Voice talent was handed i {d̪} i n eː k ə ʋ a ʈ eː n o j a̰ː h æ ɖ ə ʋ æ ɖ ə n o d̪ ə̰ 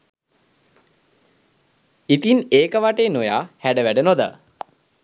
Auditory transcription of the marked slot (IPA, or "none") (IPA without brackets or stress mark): t̪